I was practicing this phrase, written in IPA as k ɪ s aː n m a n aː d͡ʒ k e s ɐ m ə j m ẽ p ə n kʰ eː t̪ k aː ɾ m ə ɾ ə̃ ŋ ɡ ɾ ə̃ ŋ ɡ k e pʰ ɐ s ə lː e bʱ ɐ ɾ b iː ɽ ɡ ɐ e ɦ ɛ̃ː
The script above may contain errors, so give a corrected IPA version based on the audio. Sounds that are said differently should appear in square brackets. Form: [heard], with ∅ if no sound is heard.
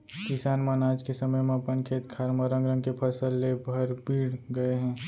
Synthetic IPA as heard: k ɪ s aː n m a n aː d͡ʒ k e s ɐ m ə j m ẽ p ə n kʰ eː t̪ [kʰ] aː ɾ m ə ɾ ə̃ ŋ ɡ ɾ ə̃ ŋ ɡ k e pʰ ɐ s ə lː e bʱ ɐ ɾ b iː ɽ ɡ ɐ e ɦ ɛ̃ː